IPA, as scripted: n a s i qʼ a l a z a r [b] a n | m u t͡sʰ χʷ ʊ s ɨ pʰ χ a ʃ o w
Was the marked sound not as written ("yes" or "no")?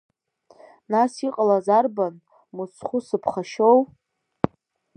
no